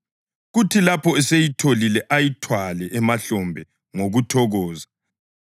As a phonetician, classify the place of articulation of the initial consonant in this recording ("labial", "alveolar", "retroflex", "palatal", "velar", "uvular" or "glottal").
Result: velar